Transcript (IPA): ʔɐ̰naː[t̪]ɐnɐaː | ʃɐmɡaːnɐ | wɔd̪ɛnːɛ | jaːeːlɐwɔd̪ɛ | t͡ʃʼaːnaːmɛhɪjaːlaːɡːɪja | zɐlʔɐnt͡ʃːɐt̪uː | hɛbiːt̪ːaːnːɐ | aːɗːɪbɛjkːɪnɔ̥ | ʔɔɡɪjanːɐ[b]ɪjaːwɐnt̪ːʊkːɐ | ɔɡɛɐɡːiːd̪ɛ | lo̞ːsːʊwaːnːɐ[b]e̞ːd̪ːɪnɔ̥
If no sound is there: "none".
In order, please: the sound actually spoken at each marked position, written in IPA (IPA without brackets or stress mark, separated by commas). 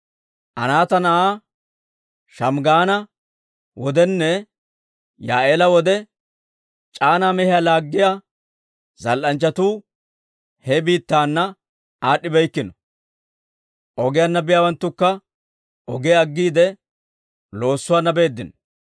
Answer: t̪, b, b